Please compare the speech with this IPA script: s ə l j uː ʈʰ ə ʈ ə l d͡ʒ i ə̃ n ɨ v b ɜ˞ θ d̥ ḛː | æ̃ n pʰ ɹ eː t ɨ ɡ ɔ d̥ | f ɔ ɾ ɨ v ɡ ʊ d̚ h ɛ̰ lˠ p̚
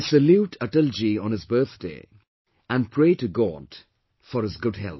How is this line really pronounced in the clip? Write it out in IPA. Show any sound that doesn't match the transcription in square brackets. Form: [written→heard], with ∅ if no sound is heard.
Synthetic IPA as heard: s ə l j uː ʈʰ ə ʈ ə l d͡ʒ i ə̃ n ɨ [v→z] b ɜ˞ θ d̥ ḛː | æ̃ n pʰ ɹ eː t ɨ ɡ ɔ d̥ | f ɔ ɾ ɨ [v→z] ɡ ʊ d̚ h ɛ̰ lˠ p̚